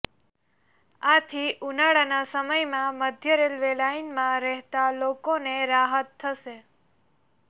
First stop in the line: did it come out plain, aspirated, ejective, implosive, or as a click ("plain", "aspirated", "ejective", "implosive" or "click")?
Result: aspirated